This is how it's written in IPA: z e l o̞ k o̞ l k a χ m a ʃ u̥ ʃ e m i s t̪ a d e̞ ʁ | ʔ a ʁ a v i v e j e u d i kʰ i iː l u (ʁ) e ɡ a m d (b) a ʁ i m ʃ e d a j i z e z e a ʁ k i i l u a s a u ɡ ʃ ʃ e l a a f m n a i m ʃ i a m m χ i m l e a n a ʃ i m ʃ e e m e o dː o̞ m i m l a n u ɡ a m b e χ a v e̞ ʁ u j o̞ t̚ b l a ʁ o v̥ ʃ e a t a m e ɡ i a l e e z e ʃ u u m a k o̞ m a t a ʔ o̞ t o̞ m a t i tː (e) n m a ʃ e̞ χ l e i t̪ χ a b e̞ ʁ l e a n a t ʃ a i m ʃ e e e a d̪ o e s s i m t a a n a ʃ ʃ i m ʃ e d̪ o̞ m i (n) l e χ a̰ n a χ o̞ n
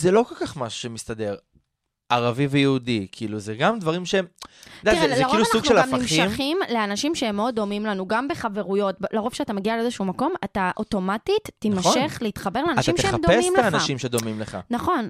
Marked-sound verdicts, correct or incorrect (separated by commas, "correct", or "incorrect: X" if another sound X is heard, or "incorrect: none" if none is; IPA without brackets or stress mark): incorrect: z, incorrect: v, incorrect: i, incorrect: m